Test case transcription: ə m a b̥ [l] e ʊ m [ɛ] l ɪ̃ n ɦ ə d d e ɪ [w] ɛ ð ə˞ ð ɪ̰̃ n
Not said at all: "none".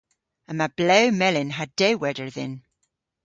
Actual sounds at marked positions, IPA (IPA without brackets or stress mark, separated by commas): l, ɛ, w